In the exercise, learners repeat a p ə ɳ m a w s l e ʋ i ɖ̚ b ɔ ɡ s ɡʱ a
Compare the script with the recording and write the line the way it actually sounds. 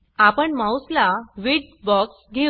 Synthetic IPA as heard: a p ə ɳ m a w s l a ʋ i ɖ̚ b ɔ k s ɡʱ e